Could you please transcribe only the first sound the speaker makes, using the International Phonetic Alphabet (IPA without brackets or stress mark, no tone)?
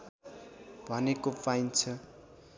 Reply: bʱ